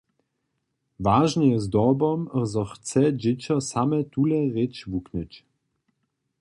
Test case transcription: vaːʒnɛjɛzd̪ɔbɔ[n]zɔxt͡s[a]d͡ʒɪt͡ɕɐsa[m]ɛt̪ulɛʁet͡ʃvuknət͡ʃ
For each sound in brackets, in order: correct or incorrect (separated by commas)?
incorrect, incorrect, correct